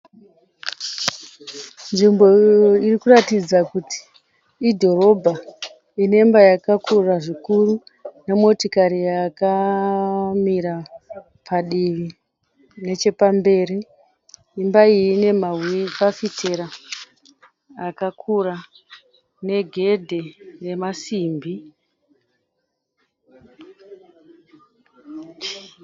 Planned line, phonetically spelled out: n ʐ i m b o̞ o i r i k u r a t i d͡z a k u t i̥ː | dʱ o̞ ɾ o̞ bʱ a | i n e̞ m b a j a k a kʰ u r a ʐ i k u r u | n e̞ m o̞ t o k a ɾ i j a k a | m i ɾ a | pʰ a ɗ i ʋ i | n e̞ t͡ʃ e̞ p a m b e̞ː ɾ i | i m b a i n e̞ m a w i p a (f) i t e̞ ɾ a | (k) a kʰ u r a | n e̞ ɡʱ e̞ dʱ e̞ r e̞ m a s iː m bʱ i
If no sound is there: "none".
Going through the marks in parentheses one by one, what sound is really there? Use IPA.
f, k

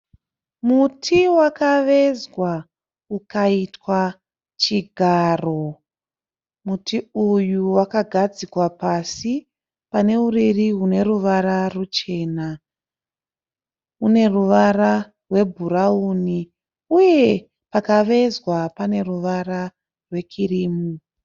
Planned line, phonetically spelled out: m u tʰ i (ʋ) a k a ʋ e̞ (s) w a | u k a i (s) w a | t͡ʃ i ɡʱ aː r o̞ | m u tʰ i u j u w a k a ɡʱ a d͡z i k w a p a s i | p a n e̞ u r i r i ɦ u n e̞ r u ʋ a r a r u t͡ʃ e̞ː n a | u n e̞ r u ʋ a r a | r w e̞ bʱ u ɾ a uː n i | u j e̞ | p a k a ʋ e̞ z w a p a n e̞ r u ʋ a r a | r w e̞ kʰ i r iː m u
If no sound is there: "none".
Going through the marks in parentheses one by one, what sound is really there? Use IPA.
w, z, t

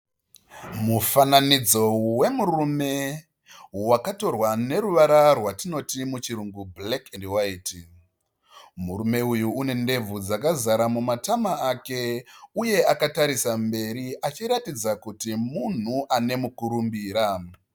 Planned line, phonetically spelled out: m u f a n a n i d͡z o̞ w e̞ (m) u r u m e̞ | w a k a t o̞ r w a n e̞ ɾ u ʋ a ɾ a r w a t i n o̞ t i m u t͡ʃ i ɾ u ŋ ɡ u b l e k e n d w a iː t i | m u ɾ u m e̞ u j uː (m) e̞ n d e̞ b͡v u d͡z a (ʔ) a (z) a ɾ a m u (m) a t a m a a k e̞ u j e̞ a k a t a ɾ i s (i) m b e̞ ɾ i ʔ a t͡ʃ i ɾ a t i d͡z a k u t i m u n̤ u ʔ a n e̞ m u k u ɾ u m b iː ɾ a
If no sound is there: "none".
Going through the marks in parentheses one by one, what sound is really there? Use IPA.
m, n, k, z, m, a

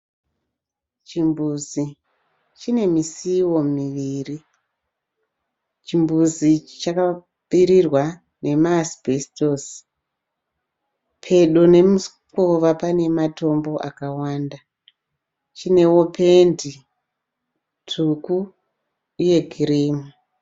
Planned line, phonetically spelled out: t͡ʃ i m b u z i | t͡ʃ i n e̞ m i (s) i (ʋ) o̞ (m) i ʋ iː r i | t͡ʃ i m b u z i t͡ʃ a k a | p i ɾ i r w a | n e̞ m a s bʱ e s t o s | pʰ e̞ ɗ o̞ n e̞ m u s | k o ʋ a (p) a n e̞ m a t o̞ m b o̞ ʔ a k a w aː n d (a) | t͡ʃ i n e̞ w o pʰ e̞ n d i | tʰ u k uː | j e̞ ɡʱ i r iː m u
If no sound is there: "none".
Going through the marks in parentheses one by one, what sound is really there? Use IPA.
s, w, m, p, a

